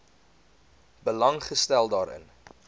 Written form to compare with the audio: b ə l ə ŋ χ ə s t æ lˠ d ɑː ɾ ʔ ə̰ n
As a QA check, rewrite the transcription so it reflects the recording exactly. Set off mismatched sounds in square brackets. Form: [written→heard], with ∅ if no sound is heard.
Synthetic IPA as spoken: b ə l [ə→ɐ] ŋ χ ə s t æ lˠ d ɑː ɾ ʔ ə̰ n